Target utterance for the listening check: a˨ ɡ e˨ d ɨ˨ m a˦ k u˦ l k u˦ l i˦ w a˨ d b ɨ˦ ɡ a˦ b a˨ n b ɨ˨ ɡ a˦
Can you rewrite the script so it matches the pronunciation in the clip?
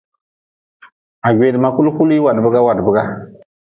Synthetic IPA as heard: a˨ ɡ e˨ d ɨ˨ m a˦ k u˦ l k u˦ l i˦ w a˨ d b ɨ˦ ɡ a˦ w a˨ d b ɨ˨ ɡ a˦